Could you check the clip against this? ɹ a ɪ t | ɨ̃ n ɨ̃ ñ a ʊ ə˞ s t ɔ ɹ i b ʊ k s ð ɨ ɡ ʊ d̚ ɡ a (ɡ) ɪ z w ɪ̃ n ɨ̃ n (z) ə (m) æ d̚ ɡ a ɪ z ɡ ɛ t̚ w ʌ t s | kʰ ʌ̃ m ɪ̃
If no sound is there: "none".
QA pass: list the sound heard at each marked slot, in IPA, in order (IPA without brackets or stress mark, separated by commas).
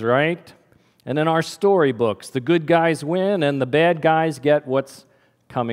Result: none, ð, b